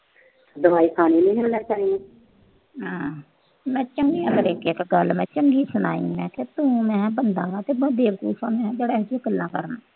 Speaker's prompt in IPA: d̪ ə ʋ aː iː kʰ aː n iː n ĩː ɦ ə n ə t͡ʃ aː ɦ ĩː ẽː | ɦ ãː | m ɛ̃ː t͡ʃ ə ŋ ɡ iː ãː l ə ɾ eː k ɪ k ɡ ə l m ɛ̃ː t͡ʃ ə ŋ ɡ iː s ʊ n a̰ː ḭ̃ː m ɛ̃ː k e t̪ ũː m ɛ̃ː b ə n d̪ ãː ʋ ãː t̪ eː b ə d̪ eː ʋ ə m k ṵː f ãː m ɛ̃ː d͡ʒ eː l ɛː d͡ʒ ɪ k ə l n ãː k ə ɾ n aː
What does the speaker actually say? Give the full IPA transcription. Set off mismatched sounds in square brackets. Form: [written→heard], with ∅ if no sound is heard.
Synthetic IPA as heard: d̪ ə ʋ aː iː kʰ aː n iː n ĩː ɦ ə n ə t͡ʃ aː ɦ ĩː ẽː | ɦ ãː | m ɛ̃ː t͡ʃ ə ŋ ɡ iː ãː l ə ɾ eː k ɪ k ɡ ə l m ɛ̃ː t͡ʃ ə ŋ ɡ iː s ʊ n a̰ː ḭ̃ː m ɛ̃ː k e t̪ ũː m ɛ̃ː b ə n d̪ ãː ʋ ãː t̪ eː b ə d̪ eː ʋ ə [m→∅] k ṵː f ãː m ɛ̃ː d͡ʒ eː [l→ɽ] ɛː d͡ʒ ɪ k ə l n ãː k ə ɾ n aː